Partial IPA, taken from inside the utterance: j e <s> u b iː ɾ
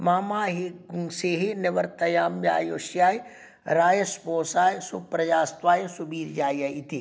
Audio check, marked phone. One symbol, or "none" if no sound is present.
s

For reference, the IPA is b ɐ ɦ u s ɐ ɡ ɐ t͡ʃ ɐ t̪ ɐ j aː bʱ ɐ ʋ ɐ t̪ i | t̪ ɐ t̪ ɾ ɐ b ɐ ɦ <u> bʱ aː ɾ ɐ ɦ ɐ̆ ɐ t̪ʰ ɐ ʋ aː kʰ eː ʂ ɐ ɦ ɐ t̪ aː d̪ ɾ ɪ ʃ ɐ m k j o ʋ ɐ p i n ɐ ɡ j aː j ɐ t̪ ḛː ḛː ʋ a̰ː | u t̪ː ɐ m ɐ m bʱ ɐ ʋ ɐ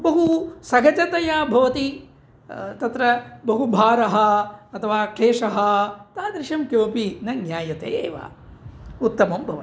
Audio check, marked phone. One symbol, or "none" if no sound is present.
u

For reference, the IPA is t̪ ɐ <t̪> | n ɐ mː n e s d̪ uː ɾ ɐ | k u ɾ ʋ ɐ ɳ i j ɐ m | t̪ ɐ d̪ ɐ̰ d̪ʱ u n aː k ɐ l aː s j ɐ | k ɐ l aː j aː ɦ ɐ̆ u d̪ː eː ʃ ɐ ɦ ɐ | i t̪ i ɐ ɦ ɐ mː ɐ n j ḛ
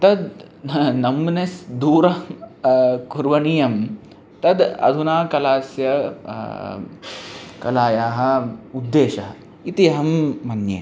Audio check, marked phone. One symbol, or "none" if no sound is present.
d̪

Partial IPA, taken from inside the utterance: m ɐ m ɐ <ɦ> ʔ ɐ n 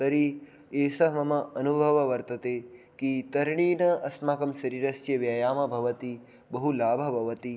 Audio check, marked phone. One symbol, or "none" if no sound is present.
none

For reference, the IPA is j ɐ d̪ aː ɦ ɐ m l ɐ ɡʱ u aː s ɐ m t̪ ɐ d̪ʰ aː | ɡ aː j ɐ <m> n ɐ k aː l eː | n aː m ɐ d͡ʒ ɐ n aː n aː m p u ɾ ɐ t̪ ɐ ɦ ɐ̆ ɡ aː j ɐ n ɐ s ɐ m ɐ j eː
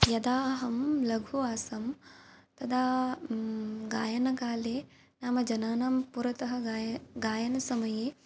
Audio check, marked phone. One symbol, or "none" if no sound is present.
none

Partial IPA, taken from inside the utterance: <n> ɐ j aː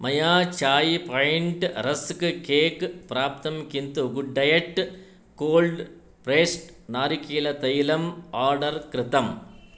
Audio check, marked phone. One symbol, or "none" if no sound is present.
m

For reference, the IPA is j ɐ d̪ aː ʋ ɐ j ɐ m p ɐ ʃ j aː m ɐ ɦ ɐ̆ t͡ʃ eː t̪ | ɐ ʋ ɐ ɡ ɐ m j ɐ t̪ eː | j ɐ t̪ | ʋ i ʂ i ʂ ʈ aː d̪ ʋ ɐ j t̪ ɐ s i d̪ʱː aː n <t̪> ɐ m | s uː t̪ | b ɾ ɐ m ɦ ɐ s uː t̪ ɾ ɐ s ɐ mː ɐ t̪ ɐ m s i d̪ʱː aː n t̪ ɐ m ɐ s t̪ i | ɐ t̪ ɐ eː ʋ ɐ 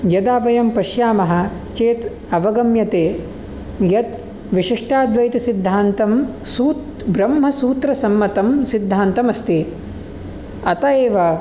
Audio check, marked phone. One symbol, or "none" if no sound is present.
t̪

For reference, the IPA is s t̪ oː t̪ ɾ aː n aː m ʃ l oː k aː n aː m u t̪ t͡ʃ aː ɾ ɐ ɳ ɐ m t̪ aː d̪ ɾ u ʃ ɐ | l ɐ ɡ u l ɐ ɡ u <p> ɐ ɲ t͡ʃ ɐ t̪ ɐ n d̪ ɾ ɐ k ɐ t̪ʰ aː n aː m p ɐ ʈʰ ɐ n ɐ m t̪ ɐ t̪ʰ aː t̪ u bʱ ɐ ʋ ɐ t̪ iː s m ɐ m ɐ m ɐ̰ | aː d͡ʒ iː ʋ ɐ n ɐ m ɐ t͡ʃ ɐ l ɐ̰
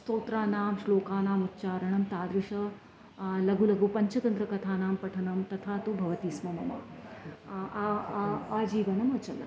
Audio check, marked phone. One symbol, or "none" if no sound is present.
p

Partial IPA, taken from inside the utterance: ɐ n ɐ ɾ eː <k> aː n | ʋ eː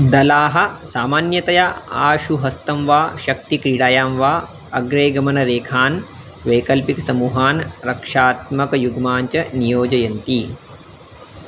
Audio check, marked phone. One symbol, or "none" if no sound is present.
kʰ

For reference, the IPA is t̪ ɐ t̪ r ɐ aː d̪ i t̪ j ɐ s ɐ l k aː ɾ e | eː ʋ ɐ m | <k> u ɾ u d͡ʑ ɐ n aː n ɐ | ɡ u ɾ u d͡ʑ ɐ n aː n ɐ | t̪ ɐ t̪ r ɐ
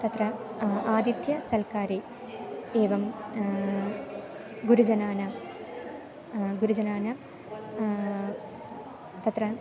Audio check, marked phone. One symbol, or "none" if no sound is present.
ɡ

